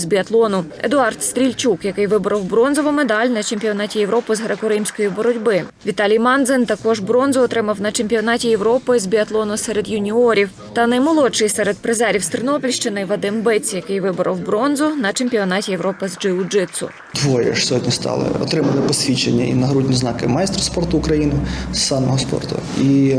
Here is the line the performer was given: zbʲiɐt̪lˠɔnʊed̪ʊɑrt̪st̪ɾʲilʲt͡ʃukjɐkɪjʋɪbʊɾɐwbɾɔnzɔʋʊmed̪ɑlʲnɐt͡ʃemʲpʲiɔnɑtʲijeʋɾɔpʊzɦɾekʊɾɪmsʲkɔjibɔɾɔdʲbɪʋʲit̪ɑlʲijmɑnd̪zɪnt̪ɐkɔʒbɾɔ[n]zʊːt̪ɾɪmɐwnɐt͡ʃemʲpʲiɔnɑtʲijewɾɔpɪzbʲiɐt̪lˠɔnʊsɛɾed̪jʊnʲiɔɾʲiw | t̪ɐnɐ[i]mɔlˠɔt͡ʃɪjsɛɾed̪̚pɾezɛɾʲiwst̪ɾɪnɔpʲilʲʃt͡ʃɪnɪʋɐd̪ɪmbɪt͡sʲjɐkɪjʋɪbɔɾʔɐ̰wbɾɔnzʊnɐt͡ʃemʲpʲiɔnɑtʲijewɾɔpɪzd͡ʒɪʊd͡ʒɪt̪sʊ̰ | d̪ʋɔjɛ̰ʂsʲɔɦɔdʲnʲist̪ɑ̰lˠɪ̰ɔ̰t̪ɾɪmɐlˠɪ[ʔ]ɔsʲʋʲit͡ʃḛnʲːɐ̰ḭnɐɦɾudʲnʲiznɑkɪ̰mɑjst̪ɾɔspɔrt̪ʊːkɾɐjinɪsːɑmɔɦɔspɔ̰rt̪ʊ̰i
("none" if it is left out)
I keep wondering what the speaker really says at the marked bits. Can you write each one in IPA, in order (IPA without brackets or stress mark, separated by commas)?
n, j, p